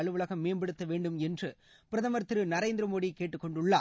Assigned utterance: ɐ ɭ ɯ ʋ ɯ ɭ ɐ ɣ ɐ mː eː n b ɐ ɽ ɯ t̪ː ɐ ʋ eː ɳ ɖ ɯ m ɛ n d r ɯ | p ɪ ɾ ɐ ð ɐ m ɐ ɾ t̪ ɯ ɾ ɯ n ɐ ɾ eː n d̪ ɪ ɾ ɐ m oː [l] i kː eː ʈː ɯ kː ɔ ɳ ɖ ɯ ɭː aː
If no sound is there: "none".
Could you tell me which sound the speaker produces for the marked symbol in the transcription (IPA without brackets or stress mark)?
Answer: ɽ